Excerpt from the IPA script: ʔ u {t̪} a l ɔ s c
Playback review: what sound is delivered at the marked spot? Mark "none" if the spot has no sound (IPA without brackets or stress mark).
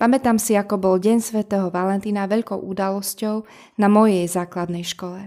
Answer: d̪